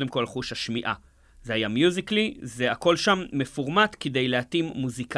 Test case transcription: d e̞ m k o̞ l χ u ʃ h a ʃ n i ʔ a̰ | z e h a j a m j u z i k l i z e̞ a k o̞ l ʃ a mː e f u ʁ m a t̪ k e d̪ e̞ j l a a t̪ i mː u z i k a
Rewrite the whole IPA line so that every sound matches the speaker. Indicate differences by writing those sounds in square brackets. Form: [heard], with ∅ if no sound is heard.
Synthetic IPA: d e̞ m k o̞ l χ u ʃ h a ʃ [m] i ʔ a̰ | z e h a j a m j u z i k l i z e̞ a k o̞ l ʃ a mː e f u ʁ m a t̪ k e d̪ e̞ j l [e] a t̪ i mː u z i k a